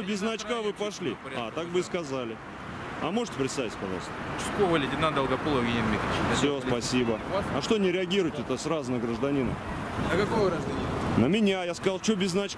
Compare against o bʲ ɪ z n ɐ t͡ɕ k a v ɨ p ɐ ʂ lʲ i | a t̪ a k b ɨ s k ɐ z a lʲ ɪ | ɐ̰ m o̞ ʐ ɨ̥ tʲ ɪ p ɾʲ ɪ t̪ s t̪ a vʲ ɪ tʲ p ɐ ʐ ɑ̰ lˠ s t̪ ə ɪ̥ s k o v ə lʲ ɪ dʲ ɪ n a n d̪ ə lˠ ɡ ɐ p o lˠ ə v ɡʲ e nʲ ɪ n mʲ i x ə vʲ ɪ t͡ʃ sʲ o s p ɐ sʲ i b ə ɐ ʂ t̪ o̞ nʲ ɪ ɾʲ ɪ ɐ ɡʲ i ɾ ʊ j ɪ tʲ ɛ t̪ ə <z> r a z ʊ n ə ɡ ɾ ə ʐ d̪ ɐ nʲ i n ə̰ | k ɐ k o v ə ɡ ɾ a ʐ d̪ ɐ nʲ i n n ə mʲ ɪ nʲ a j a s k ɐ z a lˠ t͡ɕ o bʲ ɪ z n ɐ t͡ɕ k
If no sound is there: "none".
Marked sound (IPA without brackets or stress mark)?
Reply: s